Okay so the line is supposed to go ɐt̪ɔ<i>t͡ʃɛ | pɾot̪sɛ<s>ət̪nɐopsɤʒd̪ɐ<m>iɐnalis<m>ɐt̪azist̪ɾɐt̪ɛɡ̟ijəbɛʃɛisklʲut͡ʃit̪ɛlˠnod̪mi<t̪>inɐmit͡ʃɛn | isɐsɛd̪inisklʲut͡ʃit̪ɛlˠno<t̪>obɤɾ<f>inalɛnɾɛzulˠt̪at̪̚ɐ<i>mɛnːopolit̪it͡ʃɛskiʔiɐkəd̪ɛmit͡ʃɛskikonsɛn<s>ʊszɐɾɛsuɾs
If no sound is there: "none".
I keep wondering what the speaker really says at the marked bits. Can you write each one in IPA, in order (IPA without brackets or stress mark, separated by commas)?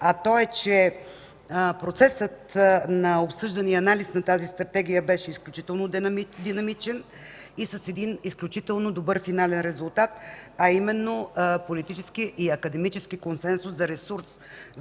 ɛ, s, n, n, d̪, d̪, f, i, s